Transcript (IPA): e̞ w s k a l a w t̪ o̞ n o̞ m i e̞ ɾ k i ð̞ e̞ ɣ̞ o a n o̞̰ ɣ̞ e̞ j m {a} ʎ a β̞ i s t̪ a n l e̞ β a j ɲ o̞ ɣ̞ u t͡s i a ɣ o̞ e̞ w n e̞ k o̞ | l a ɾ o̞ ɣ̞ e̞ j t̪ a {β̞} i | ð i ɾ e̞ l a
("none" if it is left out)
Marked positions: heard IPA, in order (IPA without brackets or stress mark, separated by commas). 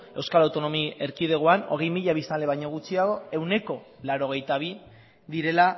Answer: i, β̞